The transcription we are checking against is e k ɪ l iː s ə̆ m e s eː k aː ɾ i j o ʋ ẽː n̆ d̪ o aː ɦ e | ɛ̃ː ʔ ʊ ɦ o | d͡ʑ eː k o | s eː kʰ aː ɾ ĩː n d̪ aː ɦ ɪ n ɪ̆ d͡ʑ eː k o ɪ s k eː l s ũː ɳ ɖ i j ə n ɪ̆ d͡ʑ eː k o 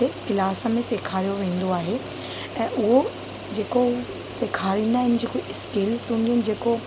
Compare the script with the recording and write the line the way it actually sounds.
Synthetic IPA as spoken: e k ɪ l aː s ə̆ m ẽ s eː kʰ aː ɾ i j o ʋ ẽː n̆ d̪ o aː ɦ e | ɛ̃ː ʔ ʊ ɦ o | d͡ʑ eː k o | s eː kʰ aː ɾ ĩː n d̪ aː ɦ ɪ n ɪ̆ d͡ʑ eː k o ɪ s k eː l s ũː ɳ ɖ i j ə n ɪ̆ d͡ʑ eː k o